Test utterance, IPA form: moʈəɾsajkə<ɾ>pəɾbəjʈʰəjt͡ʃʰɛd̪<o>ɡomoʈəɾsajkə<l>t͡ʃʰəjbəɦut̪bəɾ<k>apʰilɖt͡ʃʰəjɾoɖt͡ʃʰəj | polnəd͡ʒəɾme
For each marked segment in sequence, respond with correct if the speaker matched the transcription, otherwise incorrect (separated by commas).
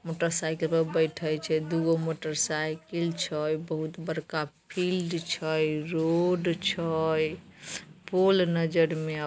incorrect, incorrect, correct, correct